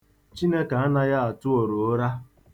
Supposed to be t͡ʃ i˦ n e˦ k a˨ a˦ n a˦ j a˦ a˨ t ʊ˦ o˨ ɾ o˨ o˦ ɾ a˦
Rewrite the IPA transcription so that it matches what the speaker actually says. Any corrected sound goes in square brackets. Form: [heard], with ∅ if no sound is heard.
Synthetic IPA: t͡ʃ i˦ n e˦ k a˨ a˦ n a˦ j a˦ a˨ t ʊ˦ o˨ ɾ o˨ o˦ ɾ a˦